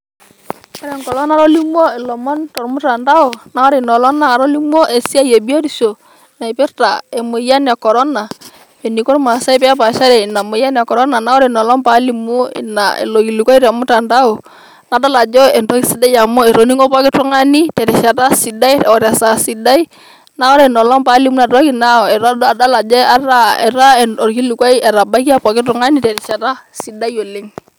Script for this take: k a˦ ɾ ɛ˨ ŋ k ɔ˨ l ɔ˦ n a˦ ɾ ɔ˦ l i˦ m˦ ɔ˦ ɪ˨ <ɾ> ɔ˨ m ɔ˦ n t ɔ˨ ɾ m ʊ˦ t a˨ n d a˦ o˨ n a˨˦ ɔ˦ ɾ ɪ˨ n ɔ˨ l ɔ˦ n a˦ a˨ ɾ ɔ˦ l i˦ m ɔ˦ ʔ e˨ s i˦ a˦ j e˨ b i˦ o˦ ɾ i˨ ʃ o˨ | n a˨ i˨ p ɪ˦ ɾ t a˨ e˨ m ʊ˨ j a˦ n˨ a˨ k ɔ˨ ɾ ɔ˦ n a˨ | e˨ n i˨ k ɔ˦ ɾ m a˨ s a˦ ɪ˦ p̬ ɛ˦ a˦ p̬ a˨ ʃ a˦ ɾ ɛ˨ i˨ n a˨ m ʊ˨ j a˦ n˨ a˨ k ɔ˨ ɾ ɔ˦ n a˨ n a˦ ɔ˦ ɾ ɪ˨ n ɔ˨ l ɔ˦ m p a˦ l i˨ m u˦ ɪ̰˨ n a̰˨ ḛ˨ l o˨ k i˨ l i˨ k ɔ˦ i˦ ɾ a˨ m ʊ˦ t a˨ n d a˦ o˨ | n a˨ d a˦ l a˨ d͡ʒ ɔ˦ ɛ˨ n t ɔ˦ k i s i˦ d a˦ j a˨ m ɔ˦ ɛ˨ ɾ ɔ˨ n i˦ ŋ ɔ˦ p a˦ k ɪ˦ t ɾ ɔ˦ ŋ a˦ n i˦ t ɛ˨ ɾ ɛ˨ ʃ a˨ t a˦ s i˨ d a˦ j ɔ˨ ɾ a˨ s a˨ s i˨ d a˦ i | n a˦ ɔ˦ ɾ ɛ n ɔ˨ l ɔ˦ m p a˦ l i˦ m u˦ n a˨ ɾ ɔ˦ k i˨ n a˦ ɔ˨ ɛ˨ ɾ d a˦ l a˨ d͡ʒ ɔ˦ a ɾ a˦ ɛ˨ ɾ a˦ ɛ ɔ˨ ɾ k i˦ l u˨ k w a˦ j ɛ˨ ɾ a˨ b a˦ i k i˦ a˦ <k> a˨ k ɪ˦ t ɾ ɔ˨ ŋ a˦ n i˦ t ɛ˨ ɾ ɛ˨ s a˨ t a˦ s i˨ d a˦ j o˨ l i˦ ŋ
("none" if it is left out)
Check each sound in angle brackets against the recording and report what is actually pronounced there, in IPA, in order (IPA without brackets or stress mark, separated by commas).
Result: l, p